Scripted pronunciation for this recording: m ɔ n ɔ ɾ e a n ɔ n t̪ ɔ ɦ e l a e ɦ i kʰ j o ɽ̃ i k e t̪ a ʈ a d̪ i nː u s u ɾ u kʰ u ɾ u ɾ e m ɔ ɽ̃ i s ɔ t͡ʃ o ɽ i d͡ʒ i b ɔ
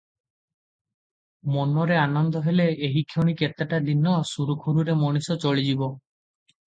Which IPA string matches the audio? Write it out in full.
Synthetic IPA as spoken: m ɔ n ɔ ɾ e a n ɔ n d̪ ɔ ɦ e l e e ɦ i kʰ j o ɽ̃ i k e t̪ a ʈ a d̪ i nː ɔ s u ɾ u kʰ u ɾ u ɾ e m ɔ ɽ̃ i s ɔ t͡ʃ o ɭ i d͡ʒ i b ɔ

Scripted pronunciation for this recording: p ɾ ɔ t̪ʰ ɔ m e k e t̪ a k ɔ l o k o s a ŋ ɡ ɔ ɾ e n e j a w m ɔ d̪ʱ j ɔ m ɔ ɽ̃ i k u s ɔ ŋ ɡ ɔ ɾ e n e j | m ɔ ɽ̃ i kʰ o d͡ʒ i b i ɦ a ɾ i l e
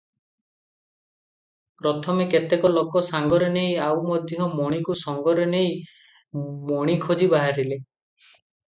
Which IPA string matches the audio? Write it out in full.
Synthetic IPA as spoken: p ɾ ɔ t̪ʰ ɔ m e k e t̪ e k ɔ l o k ɔ s a ŋ ɡ ɔ ɾ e n e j a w m ɔ d̪ʱ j ɔ m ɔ ɽ̃ i k u s ɔ ŋ ɡ ɔ ɾ e n e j | m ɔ ɽ̃ i kʰ o d͡ʒ i b a ɦ a ɾ i l e

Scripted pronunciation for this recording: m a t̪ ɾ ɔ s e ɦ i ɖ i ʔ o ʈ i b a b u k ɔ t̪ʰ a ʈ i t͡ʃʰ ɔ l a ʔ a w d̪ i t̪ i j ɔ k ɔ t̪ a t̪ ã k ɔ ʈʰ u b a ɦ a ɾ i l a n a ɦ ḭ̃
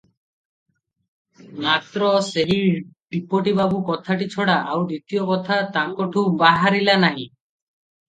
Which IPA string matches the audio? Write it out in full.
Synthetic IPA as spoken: m a t̪ ɾ ɔ s e ɦ i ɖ i p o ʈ i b a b u k ɔ t̪ʰ a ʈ i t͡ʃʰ ɔ ɽ a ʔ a w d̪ i t̪ i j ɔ k ɔ t̪ʰ a t̪ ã k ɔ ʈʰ u b a ɦ a ɾ i l a n a ɦ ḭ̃

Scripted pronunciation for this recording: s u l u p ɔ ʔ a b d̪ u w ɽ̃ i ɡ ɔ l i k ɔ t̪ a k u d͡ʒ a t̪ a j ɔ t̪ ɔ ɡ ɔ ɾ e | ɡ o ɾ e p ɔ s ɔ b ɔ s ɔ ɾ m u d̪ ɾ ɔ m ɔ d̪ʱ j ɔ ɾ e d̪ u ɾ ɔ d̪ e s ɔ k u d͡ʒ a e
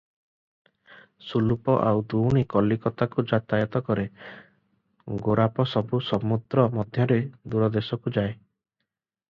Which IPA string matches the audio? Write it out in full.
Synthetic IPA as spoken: s u l u p ɔ ʔ a w d̪ u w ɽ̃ i k ɔ l i k ɔ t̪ a k u d͡ʒ a t̪ a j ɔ t̪ ɔ k ɔ ɾ e | ɡ o ɾ a p ɔ s ɔ b u s ɔ m u d̪ ɾ ɔ m ɔ d̪ʱ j ɔ ɾ e d̪ u ɾ ɔ d̪ e s ɔ k u d͡ʒ a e

